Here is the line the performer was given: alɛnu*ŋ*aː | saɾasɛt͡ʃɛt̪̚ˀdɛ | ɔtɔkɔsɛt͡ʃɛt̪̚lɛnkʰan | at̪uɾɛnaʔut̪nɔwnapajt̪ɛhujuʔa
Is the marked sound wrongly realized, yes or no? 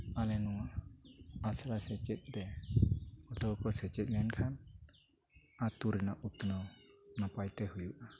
no